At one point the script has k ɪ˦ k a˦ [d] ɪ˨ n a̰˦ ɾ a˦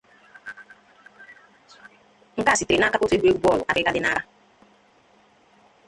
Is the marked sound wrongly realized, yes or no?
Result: no